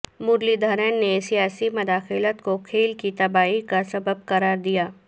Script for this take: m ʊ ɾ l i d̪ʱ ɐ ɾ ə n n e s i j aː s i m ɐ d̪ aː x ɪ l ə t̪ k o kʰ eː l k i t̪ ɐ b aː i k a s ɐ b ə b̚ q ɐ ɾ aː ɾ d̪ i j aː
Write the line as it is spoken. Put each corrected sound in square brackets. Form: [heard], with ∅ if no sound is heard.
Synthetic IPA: m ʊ ɾ l i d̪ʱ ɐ ɾ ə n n e s i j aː s i m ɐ d̪ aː x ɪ l ə t̪ k o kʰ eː l k i t̪ ɐ b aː i k a s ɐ b ə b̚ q ɐ ɾ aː ɾ d̪ i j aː